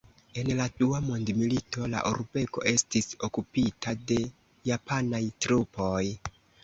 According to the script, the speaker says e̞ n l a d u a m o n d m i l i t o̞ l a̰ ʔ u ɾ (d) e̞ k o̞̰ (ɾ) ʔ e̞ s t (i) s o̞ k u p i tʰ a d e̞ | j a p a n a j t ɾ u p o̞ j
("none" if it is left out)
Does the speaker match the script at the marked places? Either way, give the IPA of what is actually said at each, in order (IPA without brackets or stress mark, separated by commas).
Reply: b, none, i